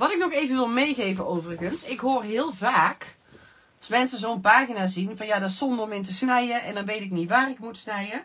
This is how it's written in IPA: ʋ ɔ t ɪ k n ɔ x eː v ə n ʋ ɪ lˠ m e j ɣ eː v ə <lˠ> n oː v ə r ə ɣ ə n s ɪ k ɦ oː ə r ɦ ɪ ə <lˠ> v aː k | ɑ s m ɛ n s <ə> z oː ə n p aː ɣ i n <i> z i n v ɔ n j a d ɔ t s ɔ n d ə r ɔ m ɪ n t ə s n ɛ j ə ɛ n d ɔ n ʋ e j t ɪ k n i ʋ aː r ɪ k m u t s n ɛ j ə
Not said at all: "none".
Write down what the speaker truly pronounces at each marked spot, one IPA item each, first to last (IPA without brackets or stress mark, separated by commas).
none, lˠ, ə, a